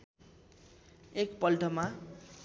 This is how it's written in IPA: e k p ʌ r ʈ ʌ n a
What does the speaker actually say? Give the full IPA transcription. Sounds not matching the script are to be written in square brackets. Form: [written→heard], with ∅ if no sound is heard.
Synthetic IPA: e k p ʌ [r→l] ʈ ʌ [n→m] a